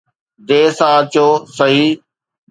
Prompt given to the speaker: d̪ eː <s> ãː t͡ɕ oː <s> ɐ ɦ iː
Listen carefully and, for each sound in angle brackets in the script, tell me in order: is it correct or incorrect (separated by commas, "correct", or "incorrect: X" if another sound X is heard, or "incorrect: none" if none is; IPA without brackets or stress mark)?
correct, correct